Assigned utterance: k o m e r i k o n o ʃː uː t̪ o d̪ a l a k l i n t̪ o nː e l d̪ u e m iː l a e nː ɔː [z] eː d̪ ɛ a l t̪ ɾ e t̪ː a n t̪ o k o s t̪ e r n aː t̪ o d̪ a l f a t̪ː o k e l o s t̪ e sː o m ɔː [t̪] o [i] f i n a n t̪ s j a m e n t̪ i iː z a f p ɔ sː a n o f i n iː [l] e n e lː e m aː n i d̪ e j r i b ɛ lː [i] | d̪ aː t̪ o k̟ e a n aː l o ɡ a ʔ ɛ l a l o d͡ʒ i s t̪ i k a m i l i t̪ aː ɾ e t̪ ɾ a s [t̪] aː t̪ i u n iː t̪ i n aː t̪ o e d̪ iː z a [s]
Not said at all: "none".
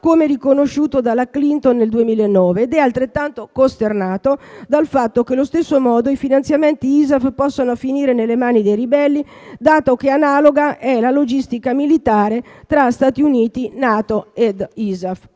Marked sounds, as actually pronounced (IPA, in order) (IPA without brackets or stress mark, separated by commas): v, d̪, i, ɾ, i, t̪, f